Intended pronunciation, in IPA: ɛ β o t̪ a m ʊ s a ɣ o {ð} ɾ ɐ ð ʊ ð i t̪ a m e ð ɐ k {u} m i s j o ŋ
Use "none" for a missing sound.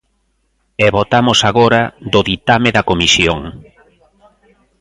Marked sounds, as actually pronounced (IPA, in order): none, o

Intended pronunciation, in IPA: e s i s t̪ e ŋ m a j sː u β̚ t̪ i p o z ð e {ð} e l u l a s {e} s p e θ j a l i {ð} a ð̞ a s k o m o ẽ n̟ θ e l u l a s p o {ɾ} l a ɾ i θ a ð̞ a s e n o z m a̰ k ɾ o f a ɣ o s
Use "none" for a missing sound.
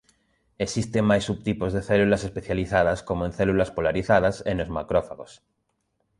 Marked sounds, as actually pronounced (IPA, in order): θ, e, θ, none

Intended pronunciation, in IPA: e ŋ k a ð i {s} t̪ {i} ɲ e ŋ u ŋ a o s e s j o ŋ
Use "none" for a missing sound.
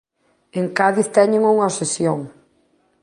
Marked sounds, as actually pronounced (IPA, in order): θ, ɛ

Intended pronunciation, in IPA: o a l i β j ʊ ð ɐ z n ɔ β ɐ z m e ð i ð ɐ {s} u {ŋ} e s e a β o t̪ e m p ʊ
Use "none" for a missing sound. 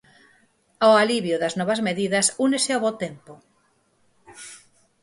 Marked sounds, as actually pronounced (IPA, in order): s, n

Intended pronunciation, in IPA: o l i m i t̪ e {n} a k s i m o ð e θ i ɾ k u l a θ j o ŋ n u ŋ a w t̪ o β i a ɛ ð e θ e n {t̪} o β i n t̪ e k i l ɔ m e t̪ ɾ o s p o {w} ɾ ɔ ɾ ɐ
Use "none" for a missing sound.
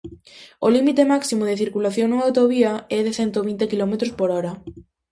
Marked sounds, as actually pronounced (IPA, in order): m, t̪, none

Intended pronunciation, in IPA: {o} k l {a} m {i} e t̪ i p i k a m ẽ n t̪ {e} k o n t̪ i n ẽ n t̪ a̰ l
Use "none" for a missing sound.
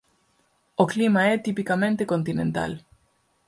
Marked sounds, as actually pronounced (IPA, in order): o, i, a, e

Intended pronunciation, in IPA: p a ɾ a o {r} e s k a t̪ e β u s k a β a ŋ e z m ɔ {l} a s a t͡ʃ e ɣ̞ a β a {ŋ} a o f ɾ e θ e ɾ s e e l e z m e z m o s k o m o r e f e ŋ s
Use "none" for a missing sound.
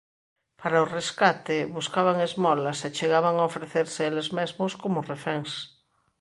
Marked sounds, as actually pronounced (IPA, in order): r, l, ŋ

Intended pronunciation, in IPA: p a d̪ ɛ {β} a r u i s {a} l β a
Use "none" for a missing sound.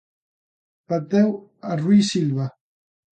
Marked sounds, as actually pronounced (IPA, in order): w, i

